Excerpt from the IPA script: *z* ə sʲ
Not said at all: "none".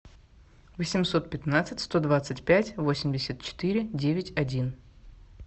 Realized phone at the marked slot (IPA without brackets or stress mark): v